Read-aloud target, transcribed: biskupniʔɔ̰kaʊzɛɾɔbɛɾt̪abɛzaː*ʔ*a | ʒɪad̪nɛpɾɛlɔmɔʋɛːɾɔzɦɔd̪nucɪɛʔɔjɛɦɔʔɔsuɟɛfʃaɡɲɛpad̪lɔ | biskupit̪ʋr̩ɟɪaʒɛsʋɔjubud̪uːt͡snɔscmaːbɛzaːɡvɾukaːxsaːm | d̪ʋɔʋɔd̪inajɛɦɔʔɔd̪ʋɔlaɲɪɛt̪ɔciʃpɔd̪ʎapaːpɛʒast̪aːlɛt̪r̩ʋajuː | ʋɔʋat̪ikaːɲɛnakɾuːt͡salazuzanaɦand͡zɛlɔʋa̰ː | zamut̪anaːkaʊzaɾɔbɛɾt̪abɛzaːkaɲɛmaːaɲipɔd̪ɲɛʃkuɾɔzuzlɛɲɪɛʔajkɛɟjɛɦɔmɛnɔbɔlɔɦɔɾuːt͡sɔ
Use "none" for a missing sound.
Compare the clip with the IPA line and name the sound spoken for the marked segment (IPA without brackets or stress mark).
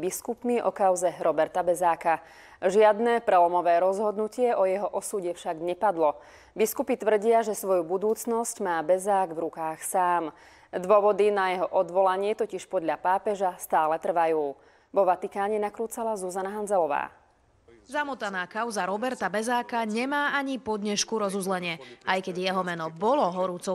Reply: k